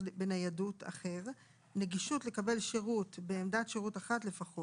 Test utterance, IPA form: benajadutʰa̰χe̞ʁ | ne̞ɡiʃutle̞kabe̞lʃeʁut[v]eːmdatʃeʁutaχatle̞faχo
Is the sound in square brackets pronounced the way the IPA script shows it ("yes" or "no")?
no